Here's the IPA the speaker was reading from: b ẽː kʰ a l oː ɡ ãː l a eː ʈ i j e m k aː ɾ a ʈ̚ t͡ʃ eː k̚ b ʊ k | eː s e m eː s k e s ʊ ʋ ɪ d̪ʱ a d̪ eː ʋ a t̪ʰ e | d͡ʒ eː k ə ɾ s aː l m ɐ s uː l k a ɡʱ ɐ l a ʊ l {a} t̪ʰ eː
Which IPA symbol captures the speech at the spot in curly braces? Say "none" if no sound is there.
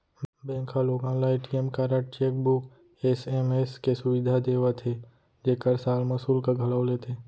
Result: e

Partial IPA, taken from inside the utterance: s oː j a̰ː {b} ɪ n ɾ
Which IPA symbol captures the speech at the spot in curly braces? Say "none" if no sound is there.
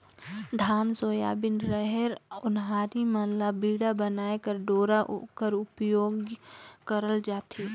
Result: b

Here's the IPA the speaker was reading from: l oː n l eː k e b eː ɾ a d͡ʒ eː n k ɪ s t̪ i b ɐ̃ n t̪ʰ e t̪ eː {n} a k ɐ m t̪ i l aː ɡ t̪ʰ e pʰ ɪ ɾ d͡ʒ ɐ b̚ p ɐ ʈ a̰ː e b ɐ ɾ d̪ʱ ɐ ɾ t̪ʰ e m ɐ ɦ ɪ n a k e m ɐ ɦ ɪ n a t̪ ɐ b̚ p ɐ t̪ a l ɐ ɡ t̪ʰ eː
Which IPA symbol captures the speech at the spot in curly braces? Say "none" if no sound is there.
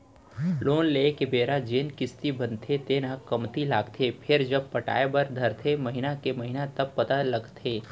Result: n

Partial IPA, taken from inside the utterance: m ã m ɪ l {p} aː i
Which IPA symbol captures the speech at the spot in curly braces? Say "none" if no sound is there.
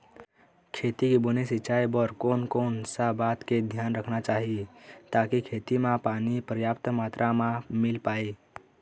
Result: p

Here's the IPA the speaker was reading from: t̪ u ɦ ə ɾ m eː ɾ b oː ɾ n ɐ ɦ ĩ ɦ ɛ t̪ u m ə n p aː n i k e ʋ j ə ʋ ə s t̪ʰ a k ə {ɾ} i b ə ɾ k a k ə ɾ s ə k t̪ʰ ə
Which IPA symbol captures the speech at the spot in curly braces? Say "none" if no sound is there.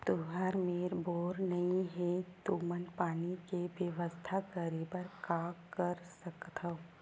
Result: ɾ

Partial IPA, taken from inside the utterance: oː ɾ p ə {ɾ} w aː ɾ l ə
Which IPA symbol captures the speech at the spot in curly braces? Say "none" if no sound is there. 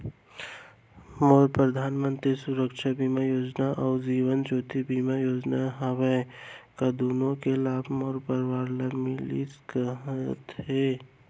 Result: ɾ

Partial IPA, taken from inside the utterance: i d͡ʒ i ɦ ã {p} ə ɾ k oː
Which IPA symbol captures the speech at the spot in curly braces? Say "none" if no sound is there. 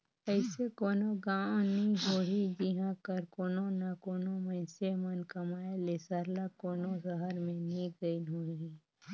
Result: k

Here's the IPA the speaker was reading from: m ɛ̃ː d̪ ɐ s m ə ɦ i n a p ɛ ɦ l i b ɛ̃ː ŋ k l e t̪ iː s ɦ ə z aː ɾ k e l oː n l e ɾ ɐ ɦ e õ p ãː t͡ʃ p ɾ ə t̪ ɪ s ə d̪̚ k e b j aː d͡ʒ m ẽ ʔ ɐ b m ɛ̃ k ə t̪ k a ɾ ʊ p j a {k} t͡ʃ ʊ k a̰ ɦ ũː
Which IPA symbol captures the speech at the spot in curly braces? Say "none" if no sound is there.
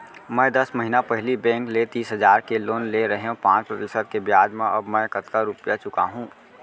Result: none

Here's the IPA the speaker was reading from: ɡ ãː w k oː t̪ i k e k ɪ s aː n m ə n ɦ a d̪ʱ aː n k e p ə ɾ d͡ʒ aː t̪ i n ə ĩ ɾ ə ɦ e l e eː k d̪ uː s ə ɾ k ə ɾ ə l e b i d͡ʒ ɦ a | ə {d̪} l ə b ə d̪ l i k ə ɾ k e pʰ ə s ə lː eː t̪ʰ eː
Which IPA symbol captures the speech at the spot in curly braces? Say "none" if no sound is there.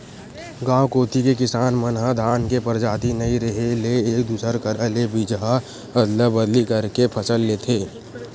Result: d̪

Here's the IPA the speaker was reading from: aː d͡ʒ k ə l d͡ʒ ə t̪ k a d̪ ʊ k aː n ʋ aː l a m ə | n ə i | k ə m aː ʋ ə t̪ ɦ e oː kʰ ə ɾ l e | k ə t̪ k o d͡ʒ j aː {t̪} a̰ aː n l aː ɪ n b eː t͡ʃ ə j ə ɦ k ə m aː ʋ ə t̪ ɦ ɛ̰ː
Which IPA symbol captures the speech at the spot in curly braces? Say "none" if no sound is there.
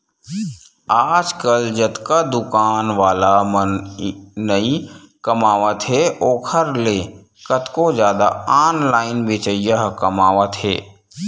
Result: d̪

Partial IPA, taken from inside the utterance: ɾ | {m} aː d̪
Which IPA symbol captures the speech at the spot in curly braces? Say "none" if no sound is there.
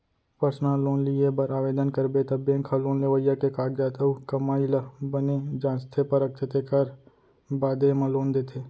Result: b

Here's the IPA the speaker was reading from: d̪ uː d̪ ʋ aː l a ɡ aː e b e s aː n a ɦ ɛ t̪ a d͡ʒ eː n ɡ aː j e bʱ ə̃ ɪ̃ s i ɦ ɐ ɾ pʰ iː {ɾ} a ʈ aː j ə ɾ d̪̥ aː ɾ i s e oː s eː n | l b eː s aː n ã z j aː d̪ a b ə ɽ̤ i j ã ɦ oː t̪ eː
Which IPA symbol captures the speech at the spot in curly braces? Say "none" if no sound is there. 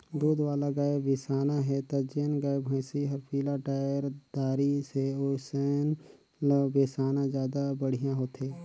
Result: l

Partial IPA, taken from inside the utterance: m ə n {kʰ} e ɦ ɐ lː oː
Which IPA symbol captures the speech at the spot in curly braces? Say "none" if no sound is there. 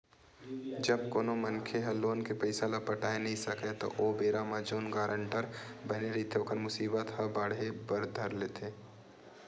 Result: kʰ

